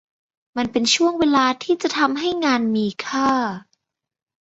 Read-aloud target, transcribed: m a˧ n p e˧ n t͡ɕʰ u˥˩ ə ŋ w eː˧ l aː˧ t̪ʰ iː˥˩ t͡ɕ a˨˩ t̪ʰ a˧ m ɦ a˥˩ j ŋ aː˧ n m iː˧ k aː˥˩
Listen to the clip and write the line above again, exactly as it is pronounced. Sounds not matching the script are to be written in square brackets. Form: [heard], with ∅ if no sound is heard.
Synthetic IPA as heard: m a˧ n p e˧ n t͡ɕʰ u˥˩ ə ŋ w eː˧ l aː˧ t̪ʰ iː˥˩ t͡ɕ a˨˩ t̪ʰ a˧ m ɦ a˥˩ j ŋ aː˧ n m iː˧ [kʰ] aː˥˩